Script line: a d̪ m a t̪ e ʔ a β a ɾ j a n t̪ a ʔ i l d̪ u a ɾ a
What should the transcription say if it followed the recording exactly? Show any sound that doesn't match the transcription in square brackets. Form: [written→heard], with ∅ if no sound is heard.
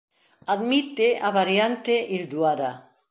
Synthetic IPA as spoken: a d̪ m [a→i] t̪ e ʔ a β a ɾ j a n t̪ [a→e] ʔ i l d̪ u a ɾ a